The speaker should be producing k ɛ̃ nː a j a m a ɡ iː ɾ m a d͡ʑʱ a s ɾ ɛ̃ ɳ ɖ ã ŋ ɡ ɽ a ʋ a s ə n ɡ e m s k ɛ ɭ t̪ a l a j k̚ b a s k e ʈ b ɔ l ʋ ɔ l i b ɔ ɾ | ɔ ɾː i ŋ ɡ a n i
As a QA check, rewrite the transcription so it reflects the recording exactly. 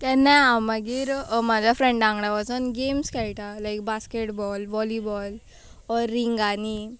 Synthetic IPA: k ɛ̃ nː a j a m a ɡ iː ɾ m a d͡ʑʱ a f ɾ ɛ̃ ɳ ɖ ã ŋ ɡ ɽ a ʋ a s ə n ɡ e m s k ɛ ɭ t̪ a l a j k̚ b a s k e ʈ b ɔ l ʋ ɔ l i b ɔ l | ɔ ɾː i ŋ ɡ a n i